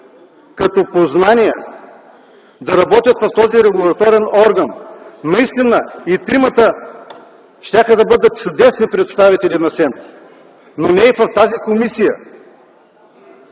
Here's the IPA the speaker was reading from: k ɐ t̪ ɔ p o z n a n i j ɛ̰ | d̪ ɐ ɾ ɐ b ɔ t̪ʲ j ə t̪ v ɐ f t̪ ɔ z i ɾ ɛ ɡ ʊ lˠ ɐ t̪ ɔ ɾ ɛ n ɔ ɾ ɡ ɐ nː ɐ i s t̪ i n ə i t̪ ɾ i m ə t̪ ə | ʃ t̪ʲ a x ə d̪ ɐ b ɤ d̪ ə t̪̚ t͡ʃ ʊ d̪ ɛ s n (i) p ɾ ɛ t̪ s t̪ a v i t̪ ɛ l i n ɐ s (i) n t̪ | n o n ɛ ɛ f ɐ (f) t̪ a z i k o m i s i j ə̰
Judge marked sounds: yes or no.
yes, no, yes

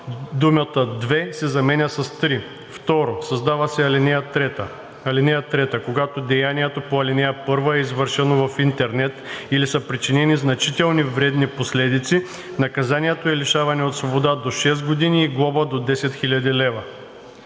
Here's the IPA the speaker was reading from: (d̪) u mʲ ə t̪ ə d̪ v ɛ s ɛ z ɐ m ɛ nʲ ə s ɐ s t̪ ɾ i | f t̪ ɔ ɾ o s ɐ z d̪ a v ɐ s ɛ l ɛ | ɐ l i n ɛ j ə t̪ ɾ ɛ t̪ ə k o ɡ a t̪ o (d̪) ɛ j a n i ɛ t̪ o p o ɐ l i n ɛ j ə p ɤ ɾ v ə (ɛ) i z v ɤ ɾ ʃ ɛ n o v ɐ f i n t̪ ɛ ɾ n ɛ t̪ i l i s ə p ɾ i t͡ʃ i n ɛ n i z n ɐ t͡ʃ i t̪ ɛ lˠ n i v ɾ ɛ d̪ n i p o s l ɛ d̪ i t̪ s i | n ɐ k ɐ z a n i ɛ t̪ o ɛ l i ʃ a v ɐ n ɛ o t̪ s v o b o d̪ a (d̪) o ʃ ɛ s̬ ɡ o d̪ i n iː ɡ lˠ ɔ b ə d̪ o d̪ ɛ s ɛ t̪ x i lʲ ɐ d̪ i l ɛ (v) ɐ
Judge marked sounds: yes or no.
yes, yes, yes, yes, yes

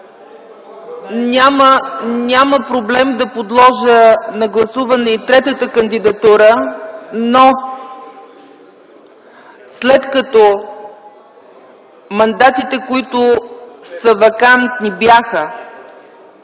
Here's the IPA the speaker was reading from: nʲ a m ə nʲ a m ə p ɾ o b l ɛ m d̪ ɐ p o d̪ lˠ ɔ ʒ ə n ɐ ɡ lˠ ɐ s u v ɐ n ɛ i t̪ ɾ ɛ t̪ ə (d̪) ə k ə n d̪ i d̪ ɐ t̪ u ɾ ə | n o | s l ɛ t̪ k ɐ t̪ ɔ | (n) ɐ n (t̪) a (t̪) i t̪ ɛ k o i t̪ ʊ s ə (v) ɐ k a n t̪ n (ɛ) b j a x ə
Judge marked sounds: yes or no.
no, no, no, yes, yes, no

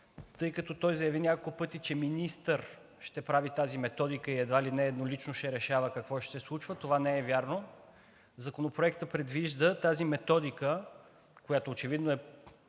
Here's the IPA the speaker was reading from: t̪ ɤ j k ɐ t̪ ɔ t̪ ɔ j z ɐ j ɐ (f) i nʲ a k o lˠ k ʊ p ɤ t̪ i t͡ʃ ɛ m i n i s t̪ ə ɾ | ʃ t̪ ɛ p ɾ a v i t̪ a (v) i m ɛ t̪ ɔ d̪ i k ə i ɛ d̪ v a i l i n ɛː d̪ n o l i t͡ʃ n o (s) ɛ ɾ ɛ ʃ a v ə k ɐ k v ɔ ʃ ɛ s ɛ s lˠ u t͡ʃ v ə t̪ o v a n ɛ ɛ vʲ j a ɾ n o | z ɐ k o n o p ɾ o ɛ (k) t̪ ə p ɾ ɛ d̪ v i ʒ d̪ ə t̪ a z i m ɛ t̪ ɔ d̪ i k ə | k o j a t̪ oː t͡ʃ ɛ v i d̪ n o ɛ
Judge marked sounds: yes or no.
no, no, no, yes

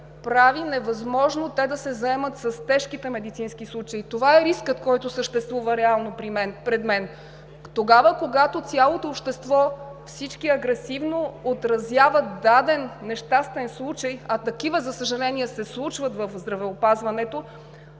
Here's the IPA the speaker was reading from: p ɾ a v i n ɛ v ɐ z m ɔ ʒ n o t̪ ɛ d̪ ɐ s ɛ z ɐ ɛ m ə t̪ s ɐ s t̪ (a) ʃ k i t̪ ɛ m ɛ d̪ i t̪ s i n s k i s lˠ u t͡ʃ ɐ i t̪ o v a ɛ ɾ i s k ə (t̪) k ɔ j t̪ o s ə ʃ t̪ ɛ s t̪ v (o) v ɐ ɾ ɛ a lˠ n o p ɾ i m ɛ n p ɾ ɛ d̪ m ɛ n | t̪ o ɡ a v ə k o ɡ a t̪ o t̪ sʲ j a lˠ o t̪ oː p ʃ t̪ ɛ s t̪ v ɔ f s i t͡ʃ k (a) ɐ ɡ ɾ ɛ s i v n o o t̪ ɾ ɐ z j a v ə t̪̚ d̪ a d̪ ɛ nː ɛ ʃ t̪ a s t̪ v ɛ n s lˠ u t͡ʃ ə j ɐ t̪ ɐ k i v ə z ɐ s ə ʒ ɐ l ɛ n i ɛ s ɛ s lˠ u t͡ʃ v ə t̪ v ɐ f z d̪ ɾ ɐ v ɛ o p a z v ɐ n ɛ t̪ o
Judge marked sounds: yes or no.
no, yes, no, no

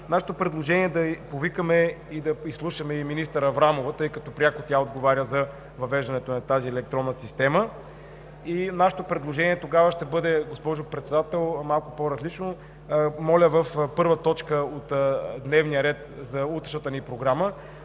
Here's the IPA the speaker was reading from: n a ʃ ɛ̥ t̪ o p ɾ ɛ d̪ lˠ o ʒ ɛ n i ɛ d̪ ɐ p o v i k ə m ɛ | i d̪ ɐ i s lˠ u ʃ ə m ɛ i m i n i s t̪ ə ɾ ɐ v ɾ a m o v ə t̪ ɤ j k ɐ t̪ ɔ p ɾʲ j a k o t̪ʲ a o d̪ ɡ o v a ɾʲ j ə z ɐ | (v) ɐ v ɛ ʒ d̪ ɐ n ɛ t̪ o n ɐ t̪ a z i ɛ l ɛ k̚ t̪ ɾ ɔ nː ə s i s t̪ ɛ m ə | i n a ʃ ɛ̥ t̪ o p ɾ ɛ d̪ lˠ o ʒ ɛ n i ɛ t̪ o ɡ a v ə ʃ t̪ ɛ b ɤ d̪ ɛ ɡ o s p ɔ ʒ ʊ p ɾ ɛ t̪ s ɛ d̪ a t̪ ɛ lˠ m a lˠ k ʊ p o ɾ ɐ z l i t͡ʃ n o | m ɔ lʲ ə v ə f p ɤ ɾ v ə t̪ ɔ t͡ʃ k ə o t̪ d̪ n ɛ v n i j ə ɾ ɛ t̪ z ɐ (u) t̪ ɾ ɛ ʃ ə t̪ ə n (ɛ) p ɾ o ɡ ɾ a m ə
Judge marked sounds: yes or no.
yes, yes, no

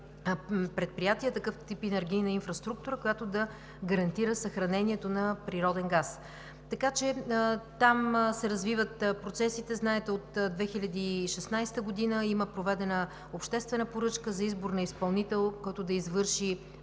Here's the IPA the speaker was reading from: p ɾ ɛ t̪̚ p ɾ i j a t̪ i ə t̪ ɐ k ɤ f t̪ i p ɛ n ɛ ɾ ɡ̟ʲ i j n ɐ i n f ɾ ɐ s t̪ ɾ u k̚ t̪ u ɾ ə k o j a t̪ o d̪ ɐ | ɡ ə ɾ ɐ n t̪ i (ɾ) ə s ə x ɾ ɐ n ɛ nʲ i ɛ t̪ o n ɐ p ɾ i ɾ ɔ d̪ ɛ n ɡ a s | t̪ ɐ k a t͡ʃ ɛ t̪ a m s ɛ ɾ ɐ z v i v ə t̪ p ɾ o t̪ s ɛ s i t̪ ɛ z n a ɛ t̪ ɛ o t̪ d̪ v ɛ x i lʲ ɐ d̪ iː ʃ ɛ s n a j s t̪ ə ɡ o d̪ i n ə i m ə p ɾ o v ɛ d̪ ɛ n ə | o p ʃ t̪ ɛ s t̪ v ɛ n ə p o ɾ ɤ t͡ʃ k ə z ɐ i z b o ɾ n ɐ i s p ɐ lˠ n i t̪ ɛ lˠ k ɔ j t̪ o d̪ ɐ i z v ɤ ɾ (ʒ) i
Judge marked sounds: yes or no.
yes, no

